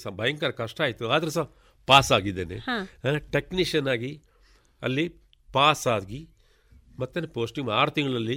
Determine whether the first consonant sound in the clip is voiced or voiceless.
voiceless